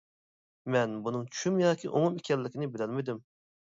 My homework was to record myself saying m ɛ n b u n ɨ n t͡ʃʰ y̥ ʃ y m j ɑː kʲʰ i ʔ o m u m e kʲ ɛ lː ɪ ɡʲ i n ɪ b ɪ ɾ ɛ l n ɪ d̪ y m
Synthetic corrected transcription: m ɛ n b u n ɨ ŋ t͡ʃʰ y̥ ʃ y m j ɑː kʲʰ i ʔ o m u m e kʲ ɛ lː ɪ kʲ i n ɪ b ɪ l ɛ l m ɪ d̪ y m